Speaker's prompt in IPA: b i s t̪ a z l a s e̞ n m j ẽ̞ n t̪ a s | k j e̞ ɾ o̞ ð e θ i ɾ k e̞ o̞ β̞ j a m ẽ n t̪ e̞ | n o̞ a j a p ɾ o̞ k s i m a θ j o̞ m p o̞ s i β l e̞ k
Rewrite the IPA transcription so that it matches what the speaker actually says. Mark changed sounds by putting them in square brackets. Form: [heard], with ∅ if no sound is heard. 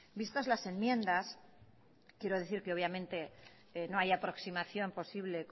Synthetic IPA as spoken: b i s t̪ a z l a s e̞ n m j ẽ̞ n [d̪] a s | k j e̞ ɾ o̞ ð e θ i ɾ k e̞ o̞ β̞ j a m ẽ n t̪ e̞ | n o̞ a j a p ɾ o̞ k s i m a θ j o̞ m p o̞ s i β l e̞ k